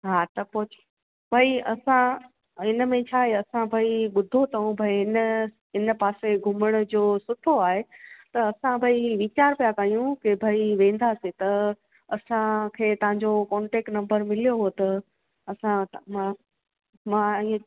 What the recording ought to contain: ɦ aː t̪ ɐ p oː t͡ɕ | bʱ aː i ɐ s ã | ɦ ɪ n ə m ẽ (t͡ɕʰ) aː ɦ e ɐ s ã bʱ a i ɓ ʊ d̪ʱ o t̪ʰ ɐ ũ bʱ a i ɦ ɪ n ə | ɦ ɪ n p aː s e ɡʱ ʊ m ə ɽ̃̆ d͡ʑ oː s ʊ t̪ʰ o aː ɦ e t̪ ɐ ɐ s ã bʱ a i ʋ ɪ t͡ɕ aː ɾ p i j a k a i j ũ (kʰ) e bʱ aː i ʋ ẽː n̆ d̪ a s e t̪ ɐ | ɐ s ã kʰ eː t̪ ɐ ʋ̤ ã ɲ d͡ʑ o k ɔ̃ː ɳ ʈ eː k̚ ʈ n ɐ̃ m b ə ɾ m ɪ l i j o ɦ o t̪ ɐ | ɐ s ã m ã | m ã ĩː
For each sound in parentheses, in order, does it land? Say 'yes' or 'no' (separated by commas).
yes, no